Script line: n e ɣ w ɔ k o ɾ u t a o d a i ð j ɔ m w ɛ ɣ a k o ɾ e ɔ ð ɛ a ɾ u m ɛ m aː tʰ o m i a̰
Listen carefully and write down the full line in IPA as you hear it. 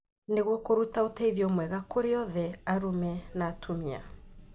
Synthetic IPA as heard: n e ɣ w ɔ k o ɾ u t a o t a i ð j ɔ m w ɛ ɣ a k o ɾ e ɔ ð ɛ a ɾ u m ɛ n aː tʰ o m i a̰